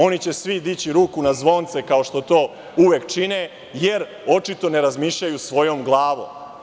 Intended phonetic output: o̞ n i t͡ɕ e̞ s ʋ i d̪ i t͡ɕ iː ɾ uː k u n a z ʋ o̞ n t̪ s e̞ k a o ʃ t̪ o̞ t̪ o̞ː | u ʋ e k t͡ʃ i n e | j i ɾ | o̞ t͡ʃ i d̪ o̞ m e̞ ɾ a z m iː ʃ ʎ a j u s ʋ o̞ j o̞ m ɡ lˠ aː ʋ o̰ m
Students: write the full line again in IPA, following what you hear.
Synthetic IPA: o̞ n i t͡ɕ e̞ s ʋ i d̪ i t͡ɕ i ɾ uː k u n a z ʋ o̞ n t̪ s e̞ k a o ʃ t̪ o̞ t̪ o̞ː | u ʋ e k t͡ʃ i n e | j e ɾ | o̞ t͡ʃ i t̪ o̞ n e̞ ɾ a z m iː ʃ ʎ a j u s ʋ o̞ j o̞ m ɡ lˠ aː ʋ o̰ m